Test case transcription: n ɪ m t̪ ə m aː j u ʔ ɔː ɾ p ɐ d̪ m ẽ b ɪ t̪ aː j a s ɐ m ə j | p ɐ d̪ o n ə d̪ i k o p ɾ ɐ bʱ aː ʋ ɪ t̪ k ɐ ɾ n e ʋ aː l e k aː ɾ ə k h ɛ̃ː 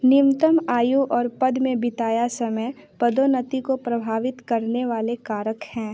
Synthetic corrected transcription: n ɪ m t̪ ə m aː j u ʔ ɔː ɾ p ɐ d̪ m ẽ b ɪ t̪ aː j a s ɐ m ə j | p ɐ d̪ o n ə t̪ i k o p ɾ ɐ bʱ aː ʋ ɪ t̪ k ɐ ɾ n e ʋ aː l e k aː ɾ ə k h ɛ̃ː